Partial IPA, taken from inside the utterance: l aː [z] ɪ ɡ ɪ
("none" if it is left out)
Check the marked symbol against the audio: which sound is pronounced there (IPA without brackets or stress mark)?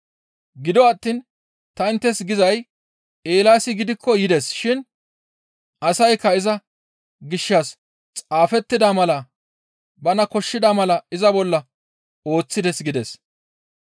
s